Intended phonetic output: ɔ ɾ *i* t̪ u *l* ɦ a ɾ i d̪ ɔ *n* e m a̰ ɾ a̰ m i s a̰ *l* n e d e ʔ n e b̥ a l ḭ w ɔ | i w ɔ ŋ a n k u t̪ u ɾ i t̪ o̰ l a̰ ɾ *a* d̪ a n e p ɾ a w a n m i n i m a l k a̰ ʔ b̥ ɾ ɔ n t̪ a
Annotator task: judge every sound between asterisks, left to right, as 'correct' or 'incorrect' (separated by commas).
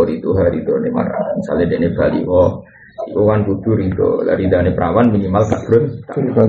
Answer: correct, incorrect, correct, correct, incorrect